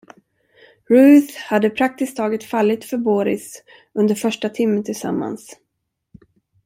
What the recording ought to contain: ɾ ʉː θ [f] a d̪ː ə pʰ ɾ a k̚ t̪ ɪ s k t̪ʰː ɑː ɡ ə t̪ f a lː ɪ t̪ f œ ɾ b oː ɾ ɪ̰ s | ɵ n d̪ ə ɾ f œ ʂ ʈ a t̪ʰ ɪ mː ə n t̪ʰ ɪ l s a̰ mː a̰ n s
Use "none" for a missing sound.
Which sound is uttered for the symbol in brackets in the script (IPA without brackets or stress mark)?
h